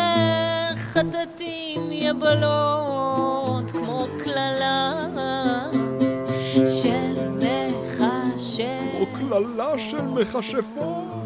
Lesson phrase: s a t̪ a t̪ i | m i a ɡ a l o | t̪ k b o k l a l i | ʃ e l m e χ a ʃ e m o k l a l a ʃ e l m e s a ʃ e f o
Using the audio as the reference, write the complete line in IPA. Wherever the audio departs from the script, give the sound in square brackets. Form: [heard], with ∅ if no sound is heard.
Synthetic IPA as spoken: [χ] a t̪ a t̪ i | m [j] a [b] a l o | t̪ k [m] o k l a l [a] | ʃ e l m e χ a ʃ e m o k l a l a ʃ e l m e [χ] a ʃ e f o